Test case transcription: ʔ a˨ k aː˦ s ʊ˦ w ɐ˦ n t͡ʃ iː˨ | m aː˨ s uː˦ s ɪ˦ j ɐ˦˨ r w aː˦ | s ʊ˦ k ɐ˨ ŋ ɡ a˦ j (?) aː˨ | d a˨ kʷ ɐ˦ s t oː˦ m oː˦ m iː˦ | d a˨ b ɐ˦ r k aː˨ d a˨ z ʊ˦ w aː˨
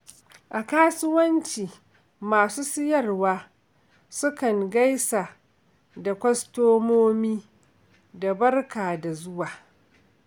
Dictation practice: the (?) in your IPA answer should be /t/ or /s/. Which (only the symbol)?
s